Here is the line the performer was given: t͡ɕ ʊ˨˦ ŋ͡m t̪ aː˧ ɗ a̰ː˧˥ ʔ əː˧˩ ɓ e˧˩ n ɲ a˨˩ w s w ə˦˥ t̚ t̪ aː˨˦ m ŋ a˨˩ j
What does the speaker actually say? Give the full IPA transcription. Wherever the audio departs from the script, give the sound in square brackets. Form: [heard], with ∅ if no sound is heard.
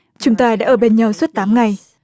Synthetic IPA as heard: t͡ɕ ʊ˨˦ ŋ͡m t̪ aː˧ ɗ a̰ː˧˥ ʔ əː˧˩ ɓ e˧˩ n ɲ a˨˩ w s w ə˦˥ t̚ t̪ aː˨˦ m ŋ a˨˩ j